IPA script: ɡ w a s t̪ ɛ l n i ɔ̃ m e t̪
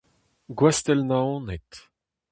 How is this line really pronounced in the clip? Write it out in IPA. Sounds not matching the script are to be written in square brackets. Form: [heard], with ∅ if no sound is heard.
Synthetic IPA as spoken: ɡ w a s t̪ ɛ l n [a] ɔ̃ [n] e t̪